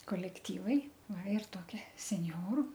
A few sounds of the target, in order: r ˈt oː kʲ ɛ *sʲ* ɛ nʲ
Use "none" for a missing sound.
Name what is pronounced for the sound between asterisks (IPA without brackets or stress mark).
sʲ